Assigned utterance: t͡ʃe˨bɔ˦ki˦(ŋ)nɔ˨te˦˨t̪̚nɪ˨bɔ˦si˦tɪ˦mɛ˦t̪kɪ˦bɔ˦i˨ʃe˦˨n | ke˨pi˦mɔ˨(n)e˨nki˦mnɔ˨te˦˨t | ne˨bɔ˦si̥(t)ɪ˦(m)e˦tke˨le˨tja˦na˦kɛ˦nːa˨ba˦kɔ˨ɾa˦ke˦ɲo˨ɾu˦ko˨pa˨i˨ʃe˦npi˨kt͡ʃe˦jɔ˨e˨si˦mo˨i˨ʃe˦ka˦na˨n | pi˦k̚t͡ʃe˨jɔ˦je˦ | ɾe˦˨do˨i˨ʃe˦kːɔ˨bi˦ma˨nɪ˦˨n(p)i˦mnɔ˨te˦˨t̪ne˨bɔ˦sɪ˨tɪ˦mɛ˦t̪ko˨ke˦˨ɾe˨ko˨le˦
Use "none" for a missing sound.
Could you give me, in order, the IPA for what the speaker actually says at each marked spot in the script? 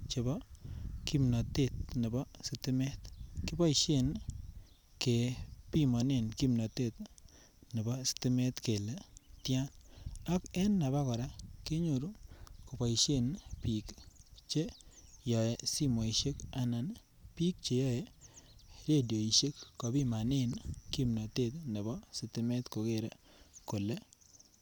m, n, t, m, k

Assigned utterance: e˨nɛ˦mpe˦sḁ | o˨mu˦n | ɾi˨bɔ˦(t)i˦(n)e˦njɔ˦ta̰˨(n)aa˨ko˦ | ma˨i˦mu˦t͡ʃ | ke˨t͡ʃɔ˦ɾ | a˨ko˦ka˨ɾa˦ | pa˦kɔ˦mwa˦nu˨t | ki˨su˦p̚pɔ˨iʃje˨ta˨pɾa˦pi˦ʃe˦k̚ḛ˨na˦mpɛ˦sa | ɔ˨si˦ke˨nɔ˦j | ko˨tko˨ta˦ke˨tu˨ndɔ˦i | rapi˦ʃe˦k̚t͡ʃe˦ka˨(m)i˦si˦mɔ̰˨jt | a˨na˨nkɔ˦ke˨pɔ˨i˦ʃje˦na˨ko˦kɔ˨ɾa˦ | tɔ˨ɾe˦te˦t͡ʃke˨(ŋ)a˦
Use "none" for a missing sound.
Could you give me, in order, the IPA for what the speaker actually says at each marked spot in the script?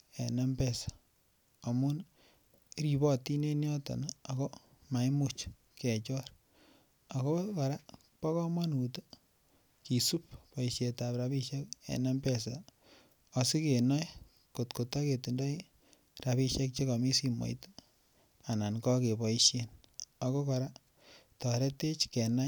t, n, n, m, n

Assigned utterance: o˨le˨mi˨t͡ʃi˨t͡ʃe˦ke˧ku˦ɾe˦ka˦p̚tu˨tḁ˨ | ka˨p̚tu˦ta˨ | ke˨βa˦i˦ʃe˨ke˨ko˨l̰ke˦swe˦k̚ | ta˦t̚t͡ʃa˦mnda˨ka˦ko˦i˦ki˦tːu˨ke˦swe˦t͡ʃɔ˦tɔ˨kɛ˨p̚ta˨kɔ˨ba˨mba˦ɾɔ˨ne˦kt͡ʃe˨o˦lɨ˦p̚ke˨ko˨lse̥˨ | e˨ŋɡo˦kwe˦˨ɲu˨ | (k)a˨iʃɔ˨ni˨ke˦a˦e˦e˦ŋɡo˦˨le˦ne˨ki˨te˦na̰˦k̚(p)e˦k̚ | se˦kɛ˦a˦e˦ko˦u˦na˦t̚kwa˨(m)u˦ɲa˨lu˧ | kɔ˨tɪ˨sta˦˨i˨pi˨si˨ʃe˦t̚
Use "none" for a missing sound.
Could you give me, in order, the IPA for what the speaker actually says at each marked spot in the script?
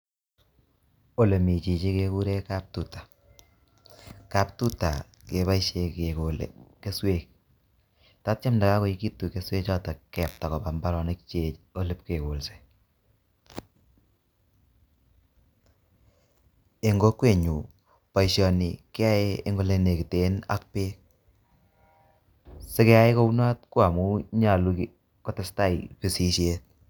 p, p, m

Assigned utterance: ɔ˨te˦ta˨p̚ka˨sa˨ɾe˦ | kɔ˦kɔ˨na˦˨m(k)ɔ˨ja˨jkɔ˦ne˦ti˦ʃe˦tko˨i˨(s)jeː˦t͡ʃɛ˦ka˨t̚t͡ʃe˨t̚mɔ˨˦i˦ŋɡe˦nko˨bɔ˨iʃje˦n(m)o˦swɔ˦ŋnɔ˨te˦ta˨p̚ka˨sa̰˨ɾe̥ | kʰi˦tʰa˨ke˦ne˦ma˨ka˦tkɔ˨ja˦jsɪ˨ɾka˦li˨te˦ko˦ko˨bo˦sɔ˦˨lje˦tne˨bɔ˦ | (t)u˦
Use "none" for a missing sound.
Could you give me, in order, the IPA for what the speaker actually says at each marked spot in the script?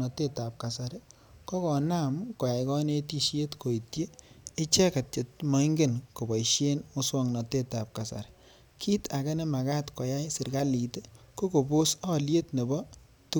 k, t, m, t

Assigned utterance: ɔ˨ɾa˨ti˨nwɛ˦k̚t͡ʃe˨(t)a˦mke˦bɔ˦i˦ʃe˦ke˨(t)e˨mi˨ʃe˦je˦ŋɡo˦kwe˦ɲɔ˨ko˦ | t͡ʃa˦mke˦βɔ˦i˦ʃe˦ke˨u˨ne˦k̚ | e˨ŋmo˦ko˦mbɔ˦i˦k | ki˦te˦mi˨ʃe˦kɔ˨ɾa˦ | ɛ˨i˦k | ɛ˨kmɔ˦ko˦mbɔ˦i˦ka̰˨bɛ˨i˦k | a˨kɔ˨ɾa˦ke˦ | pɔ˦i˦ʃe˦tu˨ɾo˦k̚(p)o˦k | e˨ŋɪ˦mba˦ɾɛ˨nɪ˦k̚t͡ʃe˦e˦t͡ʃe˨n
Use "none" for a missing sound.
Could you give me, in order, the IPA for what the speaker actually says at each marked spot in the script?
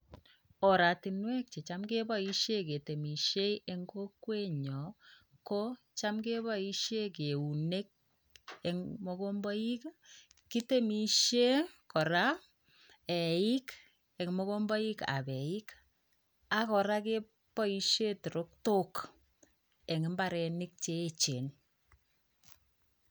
t͡ʃ, t, t

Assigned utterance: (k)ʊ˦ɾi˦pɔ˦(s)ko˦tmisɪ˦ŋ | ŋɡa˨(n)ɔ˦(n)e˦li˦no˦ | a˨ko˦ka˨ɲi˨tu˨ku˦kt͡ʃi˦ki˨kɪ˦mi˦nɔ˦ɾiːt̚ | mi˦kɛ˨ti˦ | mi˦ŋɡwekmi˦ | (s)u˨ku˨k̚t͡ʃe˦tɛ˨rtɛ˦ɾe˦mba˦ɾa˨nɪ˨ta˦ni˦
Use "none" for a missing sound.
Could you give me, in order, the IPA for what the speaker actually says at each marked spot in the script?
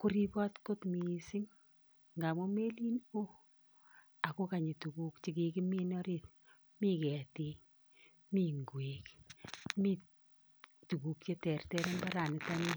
k, t, m, m, t

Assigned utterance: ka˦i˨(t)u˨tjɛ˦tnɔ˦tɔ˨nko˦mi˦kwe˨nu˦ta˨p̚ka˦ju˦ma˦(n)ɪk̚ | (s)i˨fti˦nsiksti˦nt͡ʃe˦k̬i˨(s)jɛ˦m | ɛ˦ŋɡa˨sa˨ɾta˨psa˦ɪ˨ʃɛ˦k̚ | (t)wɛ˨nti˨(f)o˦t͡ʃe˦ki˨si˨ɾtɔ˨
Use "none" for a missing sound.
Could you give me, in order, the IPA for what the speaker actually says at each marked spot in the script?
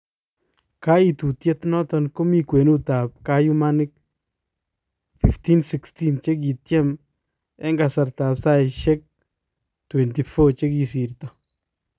t, n, f, t, t, f

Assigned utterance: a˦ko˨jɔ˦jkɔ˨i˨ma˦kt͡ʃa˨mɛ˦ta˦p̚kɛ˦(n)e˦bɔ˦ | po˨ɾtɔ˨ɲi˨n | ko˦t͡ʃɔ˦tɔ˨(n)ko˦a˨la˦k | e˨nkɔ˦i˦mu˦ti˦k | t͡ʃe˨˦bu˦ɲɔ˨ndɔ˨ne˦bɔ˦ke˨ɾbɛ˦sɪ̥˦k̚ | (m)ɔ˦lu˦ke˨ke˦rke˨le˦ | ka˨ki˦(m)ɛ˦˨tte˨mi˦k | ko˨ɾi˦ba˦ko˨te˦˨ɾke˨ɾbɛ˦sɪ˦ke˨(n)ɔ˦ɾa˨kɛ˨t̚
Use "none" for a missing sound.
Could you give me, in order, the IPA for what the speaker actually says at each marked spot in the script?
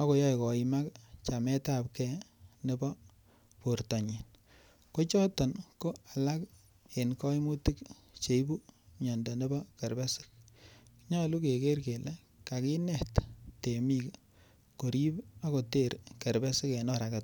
n, n, ɲ, n, n

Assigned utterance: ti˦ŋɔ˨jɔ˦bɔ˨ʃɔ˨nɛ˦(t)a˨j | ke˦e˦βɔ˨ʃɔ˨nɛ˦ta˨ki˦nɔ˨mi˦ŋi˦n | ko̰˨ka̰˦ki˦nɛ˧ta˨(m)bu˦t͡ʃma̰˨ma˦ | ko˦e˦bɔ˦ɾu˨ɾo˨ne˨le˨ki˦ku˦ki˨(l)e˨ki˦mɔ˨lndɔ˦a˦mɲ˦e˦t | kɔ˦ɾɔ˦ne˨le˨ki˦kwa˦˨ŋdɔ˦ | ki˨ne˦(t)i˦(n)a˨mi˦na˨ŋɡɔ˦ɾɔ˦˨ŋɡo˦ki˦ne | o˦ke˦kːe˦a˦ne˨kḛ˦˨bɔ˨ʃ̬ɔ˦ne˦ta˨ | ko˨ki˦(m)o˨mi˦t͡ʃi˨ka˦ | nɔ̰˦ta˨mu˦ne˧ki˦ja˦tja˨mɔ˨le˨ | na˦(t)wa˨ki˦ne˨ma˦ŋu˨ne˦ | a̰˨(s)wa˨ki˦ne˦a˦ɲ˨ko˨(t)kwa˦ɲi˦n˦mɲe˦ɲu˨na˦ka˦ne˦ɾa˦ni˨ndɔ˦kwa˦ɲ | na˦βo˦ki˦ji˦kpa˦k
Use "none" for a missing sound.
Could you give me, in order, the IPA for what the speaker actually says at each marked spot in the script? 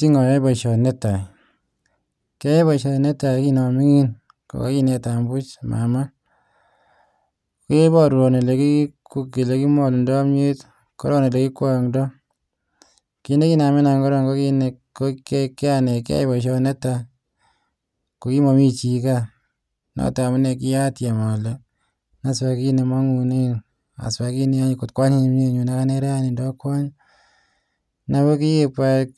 t, m, l, k, n, m, s, s, t

